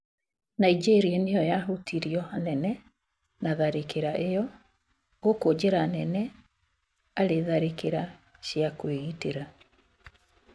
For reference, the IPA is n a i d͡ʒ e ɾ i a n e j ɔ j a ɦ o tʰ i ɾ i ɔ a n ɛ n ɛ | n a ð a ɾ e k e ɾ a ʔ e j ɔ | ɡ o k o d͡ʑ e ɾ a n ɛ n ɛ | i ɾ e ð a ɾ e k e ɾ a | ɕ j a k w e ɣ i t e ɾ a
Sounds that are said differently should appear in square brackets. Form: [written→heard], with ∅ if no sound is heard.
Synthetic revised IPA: n a i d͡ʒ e ɾ i a n e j ɔ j a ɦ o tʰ i ɾ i ɔ a n ɛ n ɛ | n a ð a ɾ e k e ɾ a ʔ e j ɔ | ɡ o k o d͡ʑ e ɾ a n ɛ n ɛ | [i→a] ɾ e ð a ɾ e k e ɾ a | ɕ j a k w e ɣ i t e ɾ a